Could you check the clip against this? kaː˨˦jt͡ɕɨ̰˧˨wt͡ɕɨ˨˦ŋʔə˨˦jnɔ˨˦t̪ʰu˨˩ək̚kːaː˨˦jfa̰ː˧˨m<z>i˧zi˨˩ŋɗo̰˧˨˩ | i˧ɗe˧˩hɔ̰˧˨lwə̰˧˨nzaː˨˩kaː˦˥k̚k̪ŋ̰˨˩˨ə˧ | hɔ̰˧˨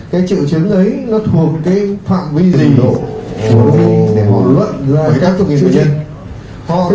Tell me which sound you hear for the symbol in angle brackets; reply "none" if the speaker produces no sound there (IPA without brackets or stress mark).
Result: v